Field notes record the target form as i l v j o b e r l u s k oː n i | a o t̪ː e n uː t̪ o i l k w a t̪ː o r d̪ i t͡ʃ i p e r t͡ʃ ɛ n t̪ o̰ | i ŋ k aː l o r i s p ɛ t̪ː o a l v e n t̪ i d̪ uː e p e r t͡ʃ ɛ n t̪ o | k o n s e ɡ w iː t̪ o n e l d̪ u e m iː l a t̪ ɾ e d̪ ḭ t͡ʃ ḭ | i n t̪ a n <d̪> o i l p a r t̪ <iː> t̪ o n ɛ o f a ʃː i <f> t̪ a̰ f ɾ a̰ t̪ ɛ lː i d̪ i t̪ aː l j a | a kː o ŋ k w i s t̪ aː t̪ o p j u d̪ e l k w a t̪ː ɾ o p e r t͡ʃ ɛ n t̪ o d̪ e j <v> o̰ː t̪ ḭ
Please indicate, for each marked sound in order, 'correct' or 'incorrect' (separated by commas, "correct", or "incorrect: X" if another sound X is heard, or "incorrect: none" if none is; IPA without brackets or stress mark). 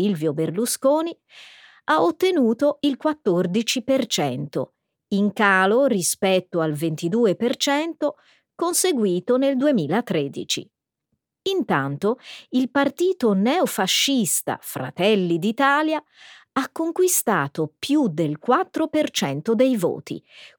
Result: incorrect: t̪, correct, incorrect: s, correct